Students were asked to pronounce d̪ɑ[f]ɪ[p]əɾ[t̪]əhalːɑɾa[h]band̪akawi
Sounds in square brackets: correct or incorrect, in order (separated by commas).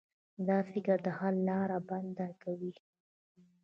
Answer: correct, incorrect, incorrect, incorrect